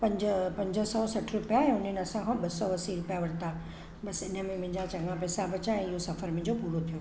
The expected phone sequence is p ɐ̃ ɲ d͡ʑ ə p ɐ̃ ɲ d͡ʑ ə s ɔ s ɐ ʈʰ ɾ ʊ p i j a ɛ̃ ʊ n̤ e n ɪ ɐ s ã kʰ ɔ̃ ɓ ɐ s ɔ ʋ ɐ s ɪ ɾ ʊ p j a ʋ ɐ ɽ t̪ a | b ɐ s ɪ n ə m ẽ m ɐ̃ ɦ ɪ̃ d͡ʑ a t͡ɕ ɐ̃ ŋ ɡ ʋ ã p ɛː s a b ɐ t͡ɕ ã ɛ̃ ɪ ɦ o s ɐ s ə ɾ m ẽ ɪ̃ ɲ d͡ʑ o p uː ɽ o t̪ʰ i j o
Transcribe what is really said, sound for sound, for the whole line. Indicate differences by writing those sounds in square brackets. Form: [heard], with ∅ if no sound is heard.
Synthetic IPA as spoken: p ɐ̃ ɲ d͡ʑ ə p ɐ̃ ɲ d͡ʑ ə s ɔ s ɐ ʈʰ ɾ ʊ p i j a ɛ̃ ʊ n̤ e n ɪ ɐ s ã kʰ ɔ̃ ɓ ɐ s ɔ ʋ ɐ s [i] ɾ ʊ p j a ʋ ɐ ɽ t̪ a | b ɐ s ɪ n ə m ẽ m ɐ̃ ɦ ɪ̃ d͡ʑ a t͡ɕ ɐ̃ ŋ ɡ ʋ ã p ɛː s a b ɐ t͡ɕ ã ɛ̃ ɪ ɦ o s ɐ [f] ə ɾ m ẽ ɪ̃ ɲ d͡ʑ o p uː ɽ o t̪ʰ i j o